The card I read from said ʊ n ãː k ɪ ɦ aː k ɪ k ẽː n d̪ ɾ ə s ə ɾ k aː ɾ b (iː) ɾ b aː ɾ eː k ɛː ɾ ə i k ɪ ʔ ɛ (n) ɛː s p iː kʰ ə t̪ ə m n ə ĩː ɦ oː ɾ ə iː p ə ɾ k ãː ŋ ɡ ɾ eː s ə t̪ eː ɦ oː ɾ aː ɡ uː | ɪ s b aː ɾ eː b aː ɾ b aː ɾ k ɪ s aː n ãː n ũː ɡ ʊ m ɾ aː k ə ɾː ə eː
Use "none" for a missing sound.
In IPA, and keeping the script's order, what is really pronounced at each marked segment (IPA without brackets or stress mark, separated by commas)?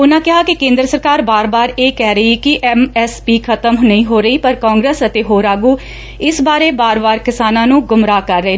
aː, m